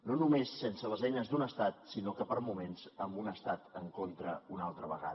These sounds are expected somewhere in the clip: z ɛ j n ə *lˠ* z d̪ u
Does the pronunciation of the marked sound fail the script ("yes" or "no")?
yes